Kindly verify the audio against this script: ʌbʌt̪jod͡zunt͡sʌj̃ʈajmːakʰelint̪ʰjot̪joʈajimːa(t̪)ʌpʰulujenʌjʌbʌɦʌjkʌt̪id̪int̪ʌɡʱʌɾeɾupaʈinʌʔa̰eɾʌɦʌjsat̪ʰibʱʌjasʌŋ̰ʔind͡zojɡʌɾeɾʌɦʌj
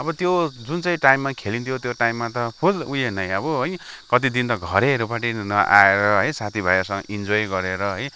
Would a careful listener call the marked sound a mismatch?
no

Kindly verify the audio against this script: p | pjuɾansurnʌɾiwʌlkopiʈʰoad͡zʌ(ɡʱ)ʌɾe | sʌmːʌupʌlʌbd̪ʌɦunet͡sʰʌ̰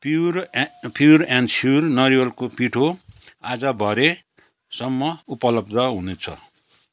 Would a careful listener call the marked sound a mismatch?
yes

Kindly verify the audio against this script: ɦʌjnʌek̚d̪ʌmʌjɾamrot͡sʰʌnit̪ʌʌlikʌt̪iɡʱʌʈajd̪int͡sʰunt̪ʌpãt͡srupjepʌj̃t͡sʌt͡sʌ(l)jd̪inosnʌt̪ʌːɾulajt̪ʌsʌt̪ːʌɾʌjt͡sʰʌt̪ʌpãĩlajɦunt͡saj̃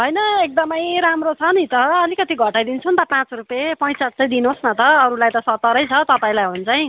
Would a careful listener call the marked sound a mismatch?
yes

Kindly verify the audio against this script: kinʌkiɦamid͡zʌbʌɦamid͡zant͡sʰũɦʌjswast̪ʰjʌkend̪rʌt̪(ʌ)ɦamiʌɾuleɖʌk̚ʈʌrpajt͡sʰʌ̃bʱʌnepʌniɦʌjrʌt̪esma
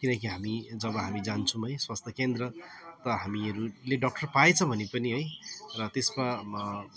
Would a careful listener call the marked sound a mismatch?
no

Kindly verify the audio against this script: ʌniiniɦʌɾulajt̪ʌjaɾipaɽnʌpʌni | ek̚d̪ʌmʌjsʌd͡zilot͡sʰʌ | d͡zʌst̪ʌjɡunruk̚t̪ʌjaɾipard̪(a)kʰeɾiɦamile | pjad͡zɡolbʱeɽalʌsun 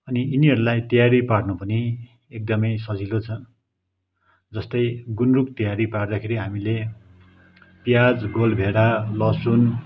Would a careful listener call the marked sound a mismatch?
no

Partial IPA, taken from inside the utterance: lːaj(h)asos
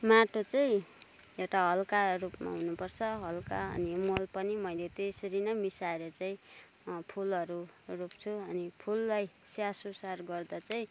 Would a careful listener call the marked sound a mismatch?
yes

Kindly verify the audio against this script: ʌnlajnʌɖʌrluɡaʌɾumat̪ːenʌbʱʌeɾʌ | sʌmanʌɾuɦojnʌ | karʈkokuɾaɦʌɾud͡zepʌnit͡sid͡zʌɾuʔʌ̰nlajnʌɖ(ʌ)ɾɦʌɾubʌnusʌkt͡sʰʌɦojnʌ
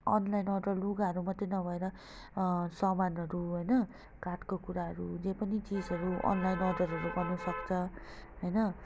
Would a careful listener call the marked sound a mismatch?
no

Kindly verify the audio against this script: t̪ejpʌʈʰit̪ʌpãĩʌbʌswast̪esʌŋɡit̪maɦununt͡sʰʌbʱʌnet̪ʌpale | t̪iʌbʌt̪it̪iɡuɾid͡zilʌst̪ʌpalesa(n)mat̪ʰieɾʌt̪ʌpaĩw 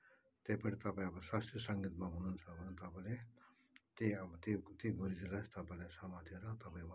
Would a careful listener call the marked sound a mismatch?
yes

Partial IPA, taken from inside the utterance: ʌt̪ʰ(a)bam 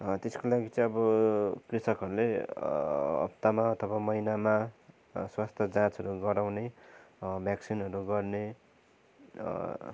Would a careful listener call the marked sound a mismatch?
yes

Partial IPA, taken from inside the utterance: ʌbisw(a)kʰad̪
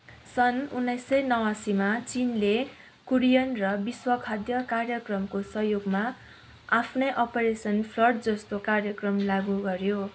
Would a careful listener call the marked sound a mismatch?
yes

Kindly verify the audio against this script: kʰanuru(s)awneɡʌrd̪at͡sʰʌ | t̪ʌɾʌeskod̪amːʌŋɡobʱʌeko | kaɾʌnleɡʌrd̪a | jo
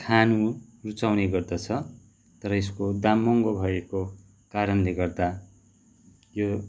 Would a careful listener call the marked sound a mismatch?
yes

